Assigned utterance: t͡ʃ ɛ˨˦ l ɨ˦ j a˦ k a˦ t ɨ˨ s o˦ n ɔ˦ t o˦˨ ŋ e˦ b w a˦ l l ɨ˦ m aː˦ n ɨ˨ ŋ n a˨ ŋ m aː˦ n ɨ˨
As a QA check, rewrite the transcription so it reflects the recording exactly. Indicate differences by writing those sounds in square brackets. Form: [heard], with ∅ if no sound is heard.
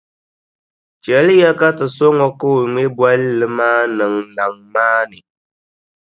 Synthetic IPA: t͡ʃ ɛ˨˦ l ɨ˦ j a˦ k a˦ t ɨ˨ s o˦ [ŋ] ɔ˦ [k] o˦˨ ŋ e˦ b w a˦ l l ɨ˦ m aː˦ n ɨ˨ ŋ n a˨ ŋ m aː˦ n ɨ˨

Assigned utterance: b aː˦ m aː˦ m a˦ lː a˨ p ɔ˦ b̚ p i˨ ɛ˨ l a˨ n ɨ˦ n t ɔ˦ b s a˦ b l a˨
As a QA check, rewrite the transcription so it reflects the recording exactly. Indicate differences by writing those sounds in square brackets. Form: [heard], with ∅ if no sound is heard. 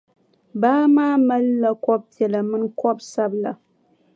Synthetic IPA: b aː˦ m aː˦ m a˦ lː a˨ [k] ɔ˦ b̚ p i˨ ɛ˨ l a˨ [m] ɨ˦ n [k] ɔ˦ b s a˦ b l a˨

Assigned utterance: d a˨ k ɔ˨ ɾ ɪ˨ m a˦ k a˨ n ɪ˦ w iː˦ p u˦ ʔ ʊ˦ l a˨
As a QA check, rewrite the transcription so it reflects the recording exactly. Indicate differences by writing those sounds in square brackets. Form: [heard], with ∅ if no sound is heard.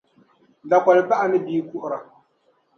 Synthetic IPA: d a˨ k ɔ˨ [l] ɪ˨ [b] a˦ [ʔ] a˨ n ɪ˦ [b] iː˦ [k] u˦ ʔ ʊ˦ [ɾ] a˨

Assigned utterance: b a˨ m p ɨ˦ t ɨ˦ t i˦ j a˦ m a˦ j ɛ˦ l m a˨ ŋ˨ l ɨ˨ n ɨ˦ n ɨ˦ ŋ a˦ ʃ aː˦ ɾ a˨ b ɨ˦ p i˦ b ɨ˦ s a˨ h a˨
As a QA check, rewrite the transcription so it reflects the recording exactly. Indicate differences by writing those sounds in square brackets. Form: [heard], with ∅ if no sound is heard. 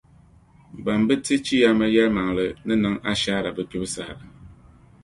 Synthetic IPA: b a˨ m [b] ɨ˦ t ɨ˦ [t͡ʃ] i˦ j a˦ m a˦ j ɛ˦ l m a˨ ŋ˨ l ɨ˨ n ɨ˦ n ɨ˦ ŋ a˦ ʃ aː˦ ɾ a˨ b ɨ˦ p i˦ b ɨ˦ s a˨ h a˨

